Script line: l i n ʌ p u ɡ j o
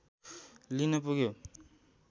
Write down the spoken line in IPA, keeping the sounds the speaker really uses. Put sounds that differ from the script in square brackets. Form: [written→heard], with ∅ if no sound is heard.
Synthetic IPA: l i n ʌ p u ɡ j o